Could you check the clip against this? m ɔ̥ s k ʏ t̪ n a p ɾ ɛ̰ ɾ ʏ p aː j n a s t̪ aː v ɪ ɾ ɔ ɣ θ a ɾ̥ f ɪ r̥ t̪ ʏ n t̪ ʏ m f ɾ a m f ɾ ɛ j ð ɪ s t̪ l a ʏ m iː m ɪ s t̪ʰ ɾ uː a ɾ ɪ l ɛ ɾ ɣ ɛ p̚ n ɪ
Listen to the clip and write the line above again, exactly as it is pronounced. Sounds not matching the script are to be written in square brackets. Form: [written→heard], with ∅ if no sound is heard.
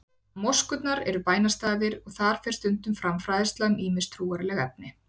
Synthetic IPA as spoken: m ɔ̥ s k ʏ t̪ n a [p→∅] ɾ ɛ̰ ɾ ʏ p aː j n a s t̪ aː [v→ð] ɪ ɾ ɔ ɣ θ a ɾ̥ f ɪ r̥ t̪ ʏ n t̪ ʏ m f ɾ a m f ɾ [ɛ→a] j ð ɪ s t̪ l a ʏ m iː m ɪ s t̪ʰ ɾ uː a ɾ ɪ l ɛ [ɾ→∅] ɣ ɛ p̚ n ɪ